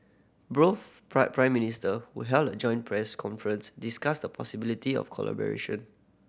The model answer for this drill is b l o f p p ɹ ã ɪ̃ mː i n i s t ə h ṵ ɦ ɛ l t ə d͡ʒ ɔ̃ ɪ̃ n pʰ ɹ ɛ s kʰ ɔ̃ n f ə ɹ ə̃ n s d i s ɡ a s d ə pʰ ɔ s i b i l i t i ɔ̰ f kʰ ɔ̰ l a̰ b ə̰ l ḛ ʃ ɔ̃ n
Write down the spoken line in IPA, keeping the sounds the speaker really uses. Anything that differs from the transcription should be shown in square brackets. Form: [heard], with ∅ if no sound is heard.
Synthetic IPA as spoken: b [ɹ] o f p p ɹ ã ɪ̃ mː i n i s t ə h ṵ ɦ ɛ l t ə d͡ʒ ɔ̃ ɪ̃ n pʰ ɹ ɛ s kʰ ɔ̃ n f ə ɹ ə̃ n s d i s [k] a s d ə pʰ ɔ s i b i l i t i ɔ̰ f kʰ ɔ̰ l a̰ b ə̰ [ɹ] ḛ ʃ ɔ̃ n